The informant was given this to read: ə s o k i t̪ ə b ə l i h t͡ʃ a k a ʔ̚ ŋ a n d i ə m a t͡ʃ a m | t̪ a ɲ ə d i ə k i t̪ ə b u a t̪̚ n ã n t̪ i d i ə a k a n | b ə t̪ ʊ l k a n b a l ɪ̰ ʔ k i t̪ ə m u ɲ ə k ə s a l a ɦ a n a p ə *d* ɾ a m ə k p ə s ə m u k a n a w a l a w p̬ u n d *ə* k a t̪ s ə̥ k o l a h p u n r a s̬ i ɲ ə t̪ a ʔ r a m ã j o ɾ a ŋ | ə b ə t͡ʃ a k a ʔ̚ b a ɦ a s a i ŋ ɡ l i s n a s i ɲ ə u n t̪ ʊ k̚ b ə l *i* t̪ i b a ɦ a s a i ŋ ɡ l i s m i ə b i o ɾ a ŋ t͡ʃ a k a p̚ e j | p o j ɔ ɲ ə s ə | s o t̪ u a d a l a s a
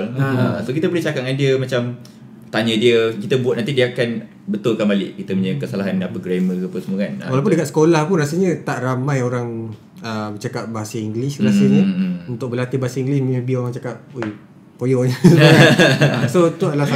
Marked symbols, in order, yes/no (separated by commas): no, yes, no